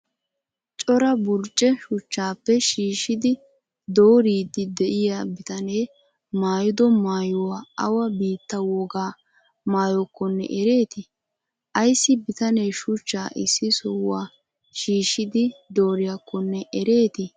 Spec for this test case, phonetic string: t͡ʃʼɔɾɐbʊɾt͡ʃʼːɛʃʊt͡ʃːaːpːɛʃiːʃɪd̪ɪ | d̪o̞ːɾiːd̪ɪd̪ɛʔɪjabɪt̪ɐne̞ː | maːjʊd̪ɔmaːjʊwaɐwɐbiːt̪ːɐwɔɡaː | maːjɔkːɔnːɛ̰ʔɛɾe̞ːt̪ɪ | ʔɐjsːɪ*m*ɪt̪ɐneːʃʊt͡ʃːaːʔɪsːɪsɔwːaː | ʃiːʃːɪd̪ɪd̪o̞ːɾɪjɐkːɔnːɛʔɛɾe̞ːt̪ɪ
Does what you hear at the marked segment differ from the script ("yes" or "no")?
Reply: yes